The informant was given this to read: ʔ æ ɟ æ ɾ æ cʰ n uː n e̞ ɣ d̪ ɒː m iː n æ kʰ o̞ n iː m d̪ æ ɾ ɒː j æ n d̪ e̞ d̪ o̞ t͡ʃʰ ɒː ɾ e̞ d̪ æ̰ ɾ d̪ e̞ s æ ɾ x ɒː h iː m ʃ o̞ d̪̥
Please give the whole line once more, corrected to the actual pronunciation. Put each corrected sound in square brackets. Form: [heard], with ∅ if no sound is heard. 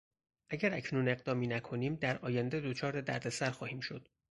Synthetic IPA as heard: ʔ æ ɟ æ ɾ æ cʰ n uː n e̞ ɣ d̪ ɒː m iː n æ kʰ o̞ n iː m d̪ æ ɾ ɒː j æ n d̪ e̞ d̪ o̞ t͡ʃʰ ɒː ɾ e̞ d̪ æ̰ ɾ d̪ e̞ s æ ɾ x ɒː h iː m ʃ o̞ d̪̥